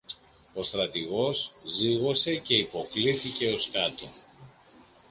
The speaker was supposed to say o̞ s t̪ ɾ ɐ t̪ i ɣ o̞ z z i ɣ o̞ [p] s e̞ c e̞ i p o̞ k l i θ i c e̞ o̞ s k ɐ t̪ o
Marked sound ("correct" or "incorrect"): incorrect